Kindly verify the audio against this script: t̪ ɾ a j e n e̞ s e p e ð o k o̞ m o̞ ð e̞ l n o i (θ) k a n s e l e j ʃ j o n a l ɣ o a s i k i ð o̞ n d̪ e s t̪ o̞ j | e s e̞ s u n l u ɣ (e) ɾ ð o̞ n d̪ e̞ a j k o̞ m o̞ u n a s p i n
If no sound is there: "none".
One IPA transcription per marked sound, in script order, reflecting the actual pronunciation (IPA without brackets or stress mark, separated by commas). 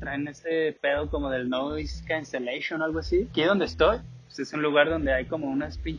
s, a